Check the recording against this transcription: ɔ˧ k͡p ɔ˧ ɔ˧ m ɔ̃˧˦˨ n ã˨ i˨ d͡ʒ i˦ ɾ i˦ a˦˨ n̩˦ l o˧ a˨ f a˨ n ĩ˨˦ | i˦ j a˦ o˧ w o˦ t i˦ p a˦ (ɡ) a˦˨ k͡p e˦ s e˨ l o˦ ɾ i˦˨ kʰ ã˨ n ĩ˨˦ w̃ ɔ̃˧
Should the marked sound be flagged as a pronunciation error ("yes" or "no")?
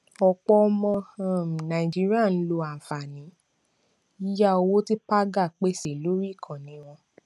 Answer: no